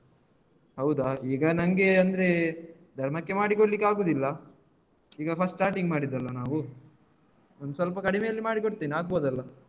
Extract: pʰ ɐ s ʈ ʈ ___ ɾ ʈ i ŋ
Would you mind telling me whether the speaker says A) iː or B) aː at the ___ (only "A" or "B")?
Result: B